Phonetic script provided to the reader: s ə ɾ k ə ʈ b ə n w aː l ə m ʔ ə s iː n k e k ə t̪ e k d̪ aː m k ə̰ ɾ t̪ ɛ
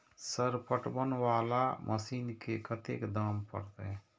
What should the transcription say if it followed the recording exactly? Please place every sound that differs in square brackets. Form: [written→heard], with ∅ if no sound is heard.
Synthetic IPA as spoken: s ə ɾ [k→p] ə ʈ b ə n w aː l [ə→a] m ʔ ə s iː n k e k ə t̪ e k d̪ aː m [k→p] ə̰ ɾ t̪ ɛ